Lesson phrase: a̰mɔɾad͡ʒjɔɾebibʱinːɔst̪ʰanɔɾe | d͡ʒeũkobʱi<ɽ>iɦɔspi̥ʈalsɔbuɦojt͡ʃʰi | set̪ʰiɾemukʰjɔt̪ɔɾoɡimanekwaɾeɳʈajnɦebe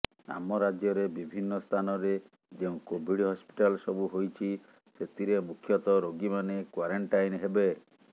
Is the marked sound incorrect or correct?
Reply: correct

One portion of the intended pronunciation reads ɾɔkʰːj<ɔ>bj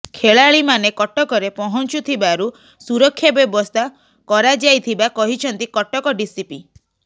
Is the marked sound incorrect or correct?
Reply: correct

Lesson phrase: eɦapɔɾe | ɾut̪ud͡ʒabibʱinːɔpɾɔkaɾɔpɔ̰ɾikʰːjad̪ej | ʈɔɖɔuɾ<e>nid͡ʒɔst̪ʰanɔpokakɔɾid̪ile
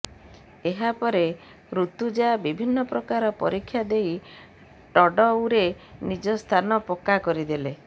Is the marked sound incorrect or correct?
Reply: correct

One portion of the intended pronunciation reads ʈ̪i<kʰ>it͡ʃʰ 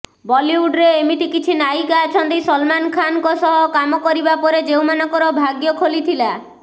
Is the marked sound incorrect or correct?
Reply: incorrect: k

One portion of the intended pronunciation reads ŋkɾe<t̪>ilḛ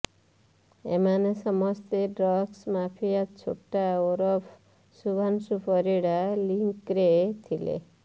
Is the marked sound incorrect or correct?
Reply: incorrect: t̪ʰ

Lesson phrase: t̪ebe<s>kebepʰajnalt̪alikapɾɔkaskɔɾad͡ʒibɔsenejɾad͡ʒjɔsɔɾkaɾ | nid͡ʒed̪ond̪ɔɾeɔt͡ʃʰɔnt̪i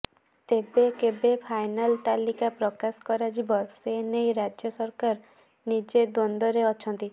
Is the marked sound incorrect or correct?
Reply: incorrect: none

